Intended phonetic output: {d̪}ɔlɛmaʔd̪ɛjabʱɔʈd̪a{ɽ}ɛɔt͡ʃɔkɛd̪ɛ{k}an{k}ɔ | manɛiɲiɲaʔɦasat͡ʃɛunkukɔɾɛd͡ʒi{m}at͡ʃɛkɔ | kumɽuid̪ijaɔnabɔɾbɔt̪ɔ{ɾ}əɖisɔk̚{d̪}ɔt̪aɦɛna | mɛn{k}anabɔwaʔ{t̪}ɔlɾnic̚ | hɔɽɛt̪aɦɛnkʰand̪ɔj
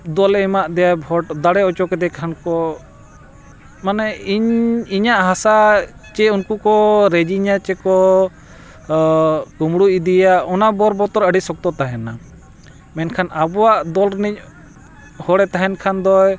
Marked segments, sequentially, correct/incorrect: correct, correct, incorrect: kʰ, correct, incorrect: ɲ, correct, incorrect: t̪, incorrect: kʰ, incorrect: d̪

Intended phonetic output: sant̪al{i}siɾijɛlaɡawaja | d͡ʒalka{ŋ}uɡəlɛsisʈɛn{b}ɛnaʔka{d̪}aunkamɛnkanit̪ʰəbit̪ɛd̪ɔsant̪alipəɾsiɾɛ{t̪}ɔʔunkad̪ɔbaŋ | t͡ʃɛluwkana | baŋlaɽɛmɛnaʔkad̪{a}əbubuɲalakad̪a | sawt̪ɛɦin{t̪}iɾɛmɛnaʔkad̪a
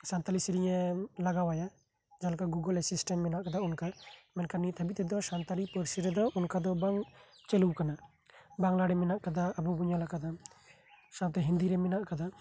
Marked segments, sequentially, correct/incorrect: correct, incorrect: ɡ, incorrect: m, correct, incorrect: d̪, correct, incorrect: d̪

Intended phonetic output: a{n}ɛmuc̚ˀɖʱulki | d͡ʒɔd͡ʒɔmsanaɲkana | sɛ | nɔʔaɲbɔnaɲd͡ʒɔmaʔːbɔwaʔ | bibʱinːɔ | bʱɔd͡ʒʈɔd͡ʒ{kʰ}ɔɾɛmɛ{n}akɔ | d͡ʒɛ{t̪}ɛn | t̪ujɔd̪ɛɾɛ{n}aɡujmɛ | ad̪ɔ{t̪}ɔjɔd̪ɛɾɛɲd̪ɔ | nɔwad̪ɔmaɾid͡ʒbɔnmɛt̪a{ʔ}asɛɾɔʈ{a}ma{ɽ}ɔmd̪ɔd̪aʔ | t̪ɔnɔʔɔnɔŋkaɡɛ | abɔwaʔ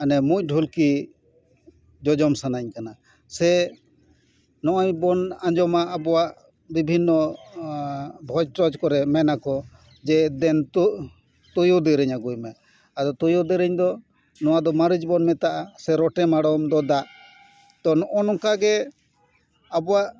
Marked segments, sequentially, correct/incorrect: correct, incorrect: k, correct, incorrect: d̪, incorrect: ɲ, correct, correct, incorrect: ɛ, correct

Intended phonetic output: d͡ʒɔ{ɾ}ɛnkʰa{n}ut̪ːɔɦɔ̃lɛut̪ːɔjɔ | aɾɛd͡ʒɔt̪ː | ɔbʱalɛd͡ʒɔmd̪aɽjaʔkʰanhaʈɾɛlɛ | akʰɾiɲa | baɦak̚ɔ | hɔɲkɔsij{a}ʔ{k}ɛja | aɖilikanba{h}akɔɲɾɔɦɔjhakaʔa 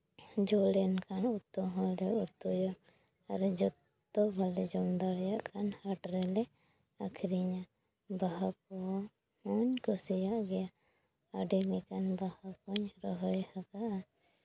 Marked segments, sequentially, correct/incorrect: incorrect: l, correct, correct, incorrect: ɡ, correct

